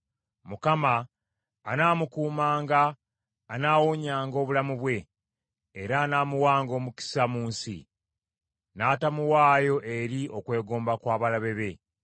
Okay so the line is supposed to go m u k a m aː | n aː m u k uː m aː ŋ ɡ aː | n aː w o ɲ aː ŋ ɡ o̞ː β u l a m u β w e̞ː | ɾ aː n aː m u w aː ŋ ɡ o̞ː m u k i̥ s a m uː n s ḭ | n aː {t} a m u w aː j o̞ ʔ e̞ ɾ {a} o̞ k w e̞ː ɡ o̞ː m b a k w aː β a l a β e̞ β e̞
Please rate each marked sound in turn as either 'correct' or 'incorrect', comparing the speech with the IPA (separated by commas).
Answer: correct, incorrect